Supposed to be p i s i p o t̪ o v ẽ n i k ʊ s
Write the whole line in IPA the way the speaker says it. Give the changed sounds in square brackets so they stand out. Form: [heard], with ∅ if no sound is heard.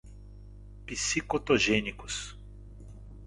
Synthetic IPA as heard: p i s i [k] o t̪ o [ʒ] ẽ n i k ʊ s